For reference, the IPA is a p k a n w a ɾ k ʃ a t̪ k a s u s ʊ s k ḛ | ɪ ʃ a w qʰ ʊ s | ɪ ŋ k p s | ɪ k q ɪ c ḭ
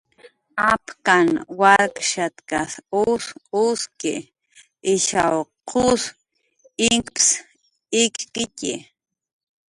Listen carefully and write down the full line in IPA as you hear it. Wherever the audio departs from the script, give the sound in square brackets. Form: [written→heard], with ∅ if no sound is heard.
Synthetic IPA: a p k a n w a ɾ k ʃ a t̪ k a s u s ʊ s k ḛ | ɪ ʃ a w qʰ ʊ s | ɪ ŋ k p s | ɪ k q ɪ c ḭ

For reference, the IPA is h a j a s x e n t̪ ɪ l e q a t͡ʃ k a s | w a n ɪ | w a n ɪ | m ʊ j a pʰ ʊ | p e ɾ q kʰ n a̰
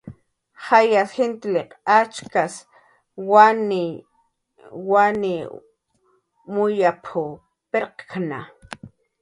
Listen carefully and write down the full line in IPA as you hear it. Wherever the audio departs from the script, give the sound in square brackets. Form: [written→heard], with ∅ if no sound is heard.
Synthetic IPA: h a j a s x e n t̪ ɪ l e q a t͡ʃ k a s | w a n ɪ | w a n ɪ | m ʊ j a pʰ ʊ | p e ɾ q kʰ n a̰

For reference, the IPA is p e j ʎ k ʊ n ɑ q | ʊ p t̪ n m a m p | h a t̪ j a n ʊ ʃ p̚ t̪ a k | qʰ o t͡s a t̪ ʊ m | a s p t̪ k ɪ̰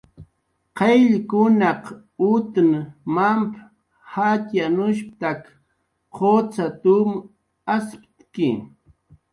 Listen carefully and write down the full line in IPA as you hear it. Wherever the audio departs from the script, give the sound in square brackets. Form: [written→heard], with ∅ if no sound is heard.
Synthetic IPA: [p→q] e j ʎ k ʊ n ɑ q | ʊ [p→∅] t̪ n m a m p | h a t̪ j a n ʊ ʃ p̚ t̪ a k | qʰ o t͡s a t̪ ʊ m | a s p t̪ k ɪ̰

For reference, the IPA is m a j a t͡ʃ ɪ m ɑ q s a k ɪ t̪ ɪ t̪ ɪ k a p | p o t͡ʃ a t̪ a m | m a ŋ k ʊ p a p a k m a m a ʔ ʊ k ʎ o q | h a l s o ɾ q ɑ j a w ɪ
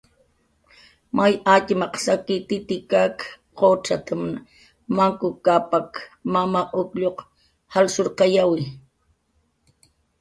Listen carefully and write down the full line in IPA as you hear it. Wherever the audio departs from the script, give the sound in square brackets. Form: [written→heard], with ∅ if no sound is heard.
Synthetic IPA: m a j a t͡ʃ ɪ m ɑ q s a k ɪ t̪ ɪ t̪ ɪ k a [p→k] | [p→q] o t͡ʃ a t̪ a m | m a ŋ k ʊ [p→k] a p a k m a m a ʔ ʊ k ʎ o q | h a l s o ɾ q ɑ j a w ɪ

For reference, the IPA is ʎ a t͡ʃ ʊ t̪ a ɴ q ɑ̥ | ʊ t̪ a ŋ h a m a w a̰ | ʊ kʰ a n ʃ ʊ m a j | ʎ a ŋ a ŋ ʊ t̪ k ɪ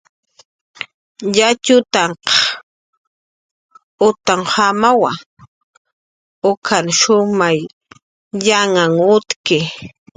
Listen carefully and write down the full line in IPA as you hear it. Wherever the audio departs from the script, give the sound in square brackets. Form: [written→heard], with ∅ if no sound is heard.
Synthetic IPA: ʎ a t͡ʃ ʊ t̪ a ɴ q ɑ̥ | ʊ t̪ a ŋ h a m a w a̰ | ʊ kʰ a n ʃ ʊ m a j | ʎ a ŋ a ŋ ʊ t̪ k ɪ

